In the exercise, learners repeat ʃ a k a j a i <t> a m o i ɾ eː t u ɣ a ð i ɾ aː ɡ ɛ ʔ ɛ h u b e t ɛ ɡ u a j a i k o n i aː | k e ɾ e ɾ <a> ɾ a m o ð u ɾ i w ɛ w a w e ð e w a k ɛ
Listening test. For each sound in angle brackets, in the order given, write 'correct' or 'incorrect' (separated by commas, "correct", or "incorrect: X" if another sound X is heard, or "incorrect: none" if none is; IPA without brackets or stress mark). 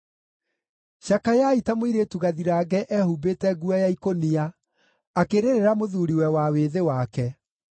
correct, incorrect: e